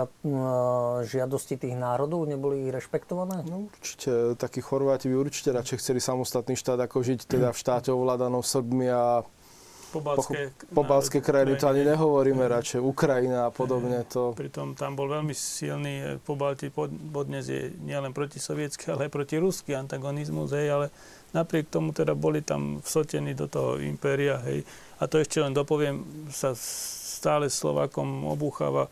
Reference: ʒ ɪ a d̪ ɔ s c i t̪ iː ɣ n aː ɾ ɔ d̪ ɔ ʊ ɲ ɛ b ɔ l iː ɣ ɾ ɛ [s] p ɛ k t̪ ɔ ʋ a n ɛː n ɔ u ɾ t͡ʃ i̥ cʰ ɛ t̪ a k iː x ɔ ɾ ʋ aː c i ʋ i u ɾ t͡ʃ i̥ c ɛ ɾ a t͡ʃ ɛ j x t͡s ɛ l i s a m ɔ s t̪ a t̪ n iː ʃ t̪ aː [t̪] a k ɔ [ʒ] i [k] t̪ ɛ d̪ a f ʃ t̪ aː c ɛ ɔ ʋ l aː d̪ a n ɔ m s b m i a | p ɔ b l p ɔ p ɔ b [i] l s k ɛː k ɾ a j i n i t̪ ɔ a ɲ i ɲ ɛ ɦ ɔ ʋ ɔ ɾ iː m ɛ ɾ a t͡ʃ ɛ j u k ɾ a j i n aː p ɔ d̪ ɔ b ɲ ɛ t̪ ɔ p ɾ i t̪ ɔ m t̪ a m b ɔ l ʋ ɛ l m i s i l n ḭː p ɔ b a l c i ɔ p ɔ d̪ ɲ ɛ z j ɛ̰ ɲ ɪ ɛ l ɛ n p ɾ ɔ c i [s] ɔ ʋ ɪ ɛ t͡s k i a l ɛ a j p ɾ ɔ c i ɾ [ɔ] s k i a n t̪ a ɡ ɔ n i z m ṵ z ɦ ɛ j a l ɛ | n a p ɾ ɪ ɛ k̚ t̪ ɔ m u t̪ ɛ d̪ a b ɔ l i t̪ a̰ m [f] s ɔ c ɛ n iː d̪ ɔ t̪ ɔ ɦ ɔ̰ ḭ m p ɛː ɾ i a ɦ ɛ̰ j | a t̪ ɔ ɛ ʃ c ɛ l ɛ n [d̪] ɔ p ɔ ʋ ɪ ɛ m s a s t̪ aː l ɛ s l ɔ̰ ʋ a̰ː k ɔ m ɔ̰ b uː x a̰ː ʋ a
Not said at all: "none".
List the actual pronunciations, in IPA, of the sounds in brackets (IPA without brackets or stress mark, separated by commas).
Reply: ʃ, d̪, ʒ, c, a, s, u, f, d̪